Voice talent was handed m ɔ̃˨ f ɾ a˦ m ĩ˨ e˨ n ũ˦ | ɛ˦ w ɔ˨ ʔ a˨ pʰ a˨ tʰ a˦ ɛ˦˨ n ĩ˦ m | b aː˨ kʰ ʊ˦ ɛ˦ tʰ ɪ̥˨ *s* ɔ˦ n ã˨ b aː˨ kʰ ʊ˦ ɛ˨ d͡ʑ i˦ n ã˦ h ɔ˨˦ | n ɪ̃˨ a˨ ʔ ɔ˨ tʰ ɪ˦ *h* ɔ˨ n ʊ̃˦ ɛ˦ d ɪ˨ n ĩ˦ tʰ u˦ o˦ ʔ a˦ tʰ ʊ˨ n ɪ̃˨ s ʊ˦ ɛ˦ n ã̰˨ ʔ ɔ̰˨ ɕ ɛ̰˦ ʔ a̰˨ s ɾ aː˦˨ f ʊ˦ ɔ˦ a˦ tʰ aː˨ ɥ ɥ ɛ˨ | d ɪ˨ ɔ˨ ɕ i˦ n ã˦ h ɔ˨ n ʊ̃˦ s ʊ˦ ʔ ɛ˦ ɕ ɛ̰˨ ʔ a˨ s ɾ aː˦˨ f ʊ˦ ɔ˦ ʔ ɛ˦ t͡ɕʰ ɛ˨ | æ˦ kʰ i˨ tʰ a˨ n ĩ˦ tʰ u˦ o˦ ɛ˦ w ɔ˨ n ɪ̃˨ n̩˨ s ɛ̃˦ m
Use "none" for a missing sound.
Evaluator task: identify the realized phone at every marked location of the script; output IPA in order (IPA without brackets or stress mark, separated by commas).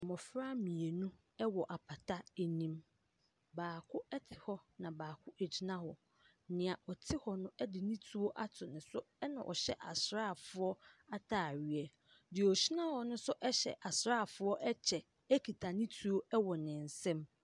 h, h